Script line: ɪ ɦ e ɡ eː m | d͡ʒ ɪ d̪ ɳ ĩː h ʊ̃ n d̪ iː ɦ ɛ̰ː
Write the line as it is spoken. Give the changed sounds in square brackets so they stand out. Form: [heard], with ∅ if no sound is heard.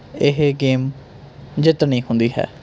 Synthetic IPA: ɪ ɦ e ɡ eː m | d͡ʒ ɪ [t̪] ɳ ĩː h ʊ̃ n d̪ iː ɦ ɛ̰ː